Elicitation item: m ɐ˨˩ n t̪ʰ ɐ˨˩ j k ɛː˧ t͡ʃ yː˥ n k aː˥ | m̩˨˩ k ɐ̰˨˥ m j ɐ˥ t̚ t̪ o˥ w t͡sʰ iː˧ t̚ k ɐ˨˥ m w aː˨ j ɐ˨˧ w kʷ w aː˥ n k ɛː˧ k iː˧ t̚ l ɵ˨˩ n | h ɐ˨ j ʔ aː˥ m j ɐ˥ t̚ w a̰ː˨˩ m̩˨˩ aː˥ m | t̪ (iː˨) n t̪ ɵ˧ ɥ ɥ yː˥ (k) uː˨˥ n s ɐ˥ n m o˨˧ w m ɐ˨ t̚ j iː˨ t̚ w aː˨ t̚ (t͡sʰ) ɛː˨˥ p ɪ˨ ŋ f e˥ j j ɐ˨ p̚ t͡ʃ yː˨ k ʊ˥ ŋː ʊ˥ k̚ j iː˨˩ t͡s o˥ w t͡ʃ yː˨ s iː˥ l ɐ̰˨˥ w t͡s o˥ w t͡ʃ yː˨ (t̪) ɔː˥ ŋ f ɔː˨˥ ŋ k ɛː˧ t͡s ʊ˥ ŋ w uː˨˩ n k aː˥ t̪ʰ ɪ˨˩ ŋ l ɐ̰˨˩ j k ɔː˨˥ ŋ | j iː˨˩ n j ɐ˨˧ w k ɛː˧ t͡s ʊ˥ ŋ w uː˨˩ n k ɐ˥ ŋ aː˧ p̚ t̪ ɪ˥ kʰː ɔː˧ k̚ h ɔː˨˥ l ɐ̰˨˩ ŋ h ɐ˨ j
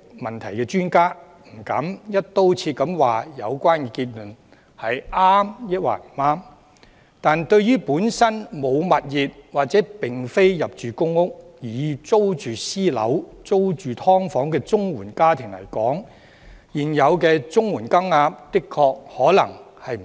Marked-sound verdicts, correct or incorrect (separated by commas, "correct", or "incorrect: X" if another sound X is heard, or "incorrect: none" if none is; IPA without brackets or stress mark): incorrect: aː˨, incorrect: p, incorrect: t͡s, incorrect: t̪ʰ